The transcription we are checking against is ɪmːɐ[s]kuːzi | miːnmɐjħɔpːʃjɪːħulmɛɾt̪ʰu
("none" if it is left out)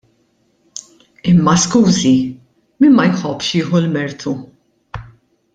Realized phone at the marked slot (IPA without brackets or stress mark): s